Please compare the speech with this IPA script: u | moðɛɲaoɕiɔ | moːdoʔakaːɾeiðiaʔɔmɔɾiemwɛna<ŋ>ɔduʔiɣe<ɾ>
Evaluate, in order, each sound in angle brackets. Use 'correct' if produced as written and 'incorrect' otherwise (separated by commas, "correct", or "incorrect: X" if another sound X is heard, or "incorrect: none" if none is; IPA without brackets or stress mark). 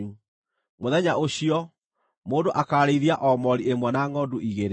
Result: correct, correct